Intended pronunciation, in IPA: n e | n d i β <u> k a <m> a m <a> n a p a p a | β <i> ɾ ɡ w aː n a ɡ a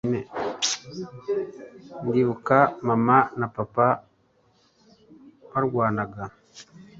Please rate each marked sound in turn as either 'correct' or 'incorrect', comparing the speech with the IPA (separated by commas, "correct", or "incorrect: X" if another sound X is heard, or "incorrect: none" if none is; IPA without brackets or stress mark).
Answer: correct, correct, correct, incorrect: a